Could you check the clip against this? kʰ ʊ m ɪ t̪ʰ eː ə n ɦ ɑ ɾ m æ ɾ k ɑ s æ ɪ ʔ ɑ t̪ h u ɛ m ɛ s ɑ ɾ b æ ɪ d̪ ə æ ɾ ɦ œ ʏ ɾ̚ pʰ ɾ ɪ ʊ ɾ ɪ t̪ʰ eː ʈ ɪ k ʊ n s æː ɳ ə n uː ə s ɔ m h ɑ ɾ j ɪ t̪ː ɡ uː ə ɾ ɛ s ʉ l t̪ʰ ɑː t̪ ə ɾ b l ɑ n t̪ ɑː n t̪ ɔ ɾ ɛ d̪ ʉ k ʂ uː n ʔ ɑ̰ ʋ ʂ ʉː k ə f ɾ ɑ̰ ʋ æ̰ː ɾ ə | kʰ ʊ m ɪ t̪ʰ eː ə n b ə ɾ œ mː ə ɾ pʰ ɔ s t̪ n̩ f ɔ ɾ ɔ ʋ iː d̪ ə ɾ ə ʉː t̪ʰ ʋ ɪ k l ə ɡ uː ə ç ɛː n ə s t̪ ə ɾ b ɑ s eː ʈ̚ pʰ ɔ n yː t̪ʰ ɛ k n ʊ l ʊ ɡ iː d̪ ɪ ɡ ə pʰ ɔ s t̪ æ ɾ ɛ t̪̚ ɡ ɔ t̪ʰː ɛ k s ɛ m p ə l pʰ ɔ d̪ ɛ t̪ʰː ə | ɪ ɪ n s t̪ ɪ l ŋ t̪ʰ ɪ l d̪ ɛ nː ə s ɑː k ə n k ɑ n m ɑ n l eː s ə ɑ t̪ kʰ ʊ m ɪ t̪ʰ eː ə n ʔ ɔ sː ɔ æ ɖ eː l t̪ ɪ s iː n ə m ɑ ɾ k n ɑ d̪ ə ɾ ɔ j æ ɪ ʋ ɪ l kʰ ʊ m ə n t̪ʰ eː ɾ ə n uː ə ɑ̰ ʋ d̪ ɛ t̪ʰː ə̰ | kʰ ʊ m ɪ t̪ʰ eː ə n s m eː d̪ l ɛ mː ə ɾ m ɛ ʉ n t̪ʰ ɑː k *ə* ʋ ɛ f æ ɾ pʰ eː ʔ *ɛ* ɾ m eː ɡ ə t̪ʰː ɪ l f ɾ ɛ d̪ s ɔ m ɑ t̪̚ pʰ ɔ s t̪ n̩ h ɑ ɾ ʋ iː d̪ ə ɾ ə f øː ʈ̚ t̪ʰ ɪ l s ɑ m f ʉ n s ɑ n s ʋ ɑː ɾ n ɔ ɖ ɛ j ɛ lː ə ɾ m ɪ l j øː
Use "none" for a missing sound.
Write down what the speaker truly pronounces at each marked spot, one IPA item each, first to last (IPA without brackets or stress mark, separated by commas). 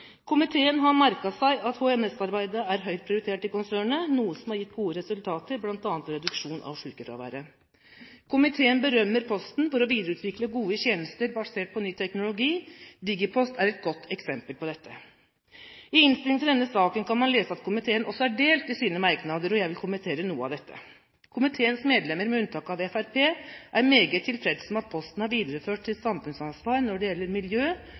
ɑ, æ